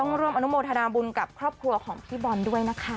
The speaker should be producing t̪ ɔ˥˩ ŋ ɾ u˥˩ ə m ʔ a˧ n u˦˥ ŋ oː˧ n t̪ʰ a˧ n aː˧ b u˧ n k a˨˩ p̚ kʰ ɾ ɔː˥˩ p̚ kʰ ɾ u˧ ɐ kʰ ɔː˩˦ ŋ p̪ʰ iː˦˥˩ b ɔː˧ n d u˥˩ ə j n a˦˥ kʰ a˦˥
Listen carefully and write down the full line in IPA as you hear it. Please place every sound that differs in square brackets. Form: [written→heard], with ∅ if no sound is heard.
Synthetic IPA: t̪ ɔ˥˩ ŋ ɾ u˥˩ ə m ʔ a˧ n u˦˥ [ŋ→m] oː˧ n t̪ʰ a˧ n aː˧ b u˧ n k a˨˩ p̚ kʰ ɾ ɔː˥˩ p̚ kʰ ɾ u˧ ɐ kʰ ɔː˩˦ ŋ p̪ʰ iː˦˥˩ b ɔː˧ n d u˥˩ ə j n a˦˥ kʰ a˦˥

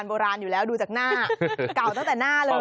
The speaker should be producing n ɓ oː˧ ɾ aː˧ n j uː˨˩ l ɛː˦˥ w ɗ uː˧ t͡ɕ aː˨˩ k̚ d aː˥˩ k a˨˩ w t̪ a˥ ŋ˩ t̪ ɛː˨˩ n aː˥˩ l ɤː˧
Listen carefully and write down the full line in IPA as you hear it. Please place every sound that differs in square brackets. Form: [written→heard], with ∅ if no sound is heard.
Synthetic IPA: n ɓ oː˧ ɾ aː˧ n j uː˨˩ l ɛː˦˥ w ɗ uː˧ t͡ɕ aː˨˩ k̚ [d→n] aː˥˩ k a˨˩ w t̪ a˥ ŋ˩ t̪ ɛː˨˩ n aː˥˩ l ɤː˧

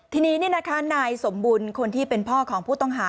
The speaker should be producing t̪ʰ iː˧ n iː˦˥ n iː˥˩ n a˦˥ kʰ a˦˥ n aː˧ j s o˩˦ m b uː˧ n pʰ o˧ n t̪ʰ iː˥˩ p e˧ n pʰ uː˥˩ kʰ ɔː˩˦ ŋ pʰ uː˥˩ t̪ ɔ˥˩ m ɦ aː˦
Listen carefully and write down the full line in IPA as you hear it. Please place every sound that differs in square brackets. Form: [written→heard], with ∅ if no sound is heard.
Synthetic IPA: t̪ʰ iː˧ n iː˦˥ n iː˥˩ n a˦˥ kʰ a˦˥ n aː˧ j s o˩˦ m b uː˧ n [pʰ→kʰ] o˧ n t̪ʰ iː˥˩ p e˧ n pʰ [uː˥˩→ɔː˥˩] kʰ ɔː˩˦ ŋ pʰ uː˥˩ t̪ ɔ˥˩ [m→ŋ] ɦ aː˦

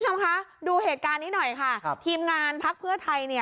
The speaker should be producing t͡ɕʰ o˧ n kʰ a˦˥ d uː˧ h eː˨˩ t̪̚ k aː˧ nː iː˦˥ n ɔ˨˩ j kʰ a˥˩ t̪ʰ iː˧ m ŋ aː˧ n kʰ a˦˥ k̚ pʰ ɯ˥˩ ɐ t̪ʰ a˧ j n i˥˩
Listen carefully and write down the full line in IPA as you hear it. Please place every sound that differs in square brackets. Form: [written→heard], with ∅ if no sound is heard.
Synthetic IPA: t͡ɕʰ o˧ [n→m] kʰ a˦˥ d uː˧ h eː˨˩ t̪̚ k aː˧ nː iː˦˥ n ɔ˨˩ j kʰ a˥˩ t̪ʰ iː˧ m ŋ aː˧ n [kʰ→pʰ] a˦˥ k̚ pʰ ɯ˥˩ ɐ t̪ʰ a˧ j n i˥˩

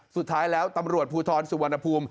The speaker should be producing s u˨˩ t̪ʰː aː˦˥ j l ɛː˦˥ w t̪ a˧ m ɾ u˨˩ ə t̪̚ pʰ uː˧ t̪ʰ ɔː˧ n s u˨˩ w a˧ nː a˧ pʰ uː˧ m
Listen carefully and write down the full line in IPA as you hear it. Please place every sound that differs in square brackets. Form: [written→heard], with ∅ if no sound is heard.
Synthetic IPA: s u˨˩ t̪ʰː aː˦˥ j l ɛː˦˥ w t̪ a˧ m ɾ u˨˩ ə t̪̚ pʰ uː˧ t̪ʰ ɔː˧ n s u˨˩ w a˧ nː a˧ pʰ uː˧ m

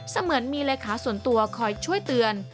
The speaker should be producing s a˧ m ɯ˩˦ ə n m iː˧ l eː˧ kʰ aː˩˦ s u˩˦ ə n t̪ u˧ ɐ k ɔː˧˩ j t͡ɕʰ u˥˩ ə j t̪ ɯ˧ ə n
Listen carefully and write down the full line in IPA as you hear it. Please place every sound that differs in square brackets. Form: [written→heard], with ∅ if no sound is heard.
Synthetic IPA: s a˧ m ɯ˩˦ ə n m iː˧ l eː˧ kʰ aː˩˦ s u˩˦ ə n t̪ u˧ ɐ [k→kʰ] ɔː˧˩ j t͡ɕʰ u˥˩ ə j t̪ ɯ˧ ə n

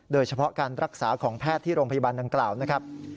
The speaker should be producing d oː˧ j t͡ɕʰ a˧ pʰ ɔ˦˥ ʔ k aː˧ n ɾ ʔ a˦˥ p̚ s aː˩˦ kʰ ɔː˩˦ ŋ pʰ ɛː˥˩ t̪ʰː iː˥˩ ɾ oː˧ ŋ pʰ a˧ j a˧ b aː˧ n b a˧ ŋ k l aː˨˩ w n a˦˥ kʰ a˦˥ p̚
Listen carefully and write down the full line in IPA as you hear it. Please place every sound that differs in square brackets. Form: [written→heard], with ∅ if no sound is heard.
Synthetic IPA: d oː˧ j t͡ɕʰ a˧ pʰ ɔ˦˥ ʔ k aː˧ n ɾ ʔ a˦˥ [p̚→k̚] s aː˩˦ kʰ ɔː˩˦ ŋ pʰ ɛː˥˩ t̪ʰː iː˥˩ ɾ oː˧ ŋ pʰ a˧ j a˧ b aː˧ n [b→d] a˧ ŋ k l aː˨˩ w n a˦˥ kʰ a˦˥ p̚

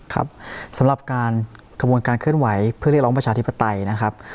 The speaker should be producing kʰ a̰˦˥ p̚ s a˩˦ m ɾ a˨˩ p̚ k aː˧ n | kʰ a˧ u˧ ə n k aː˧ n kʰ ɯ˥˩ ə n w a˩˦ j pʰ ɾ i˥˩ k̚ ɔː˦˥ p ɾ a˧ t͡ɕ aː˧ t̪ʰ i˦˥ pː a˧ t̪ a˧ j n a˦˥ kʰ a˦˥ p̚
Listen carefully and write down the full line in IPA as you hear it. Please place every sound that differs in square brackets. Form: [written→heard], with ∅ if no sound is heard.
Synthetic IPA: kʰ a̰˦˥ p̚ s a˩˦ m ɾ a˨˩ p̚ k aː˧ n | kʰ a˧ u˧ ə n k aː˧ n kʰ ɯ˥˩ ə n w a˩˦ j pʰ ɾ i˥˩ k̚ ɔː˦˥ p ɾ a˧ t͡ɕ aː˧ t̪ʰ i˦˥ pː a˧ t̪ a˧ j n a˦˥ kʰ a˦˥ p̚

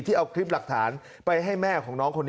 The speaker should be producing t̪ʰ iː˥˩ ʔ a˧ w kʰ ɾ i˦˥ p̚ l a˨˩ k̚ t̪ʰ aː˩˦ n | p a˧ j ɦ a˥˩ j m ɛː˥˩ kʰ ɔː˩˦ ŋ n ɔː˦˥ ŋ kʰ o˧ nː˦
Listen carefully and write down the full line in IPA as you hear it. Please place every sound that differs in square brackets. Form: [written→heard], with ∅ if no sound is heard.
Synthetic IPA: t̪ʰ iː˥˩ ʔ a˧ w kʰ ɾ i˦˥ p̚ l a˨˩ k̚ t̪ʰ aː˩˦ n | p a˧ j ɦ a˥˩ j m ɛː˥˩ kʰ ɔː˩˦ ŋ n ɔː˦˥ ŋ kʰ o˧ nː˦

